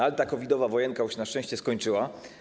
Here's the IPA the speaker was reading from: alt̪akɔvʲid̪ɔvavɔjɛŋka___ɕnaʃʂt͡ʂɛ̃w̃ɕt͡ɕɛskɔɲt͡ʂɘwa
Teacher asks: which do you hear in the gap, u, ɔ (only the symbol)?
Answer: u